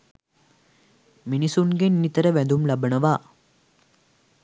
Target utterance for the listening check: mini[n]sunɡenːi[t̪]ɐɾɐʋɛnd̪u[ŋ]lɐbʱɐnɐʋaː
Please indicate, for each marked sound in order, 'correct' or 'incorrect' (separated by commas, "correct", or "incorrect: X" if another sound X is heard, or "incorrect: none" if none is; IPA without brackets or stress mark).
incorrect: none, correct, incorrect: m